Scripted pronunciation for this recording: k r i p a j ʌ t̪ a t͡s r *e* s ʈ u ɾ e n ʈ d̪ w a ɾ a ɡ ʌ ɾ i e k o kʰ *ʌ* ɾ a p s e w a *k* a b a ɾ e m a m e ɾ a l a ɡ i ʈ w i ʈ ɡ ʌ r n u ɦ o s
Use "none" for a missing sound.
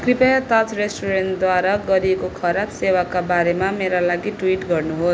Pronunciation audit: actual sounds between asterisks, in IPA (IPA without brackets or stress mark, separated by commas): e, ʌ, k